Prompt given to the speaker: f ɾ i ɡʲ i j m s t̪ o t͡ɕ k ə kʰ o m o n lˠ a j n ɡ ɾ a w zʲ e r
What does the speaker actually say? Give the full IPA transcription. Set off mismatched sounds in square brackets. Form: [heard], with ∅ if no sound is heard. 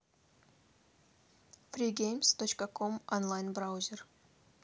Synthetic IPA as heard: f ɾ i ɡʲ [e] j m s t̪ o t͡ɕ k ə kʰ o m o n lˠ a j n [b] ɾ a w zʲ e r